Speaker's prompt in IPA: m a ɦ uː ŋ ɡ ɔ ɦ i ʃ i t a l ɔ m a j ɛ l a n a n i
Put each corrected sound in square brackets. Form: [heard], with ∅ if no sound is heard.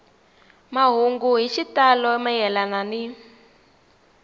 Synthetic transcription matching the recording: m a ɦ [u] ŋ ɡ [u] ɦ i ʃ i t a l ɔ m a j ɛ l a n a n i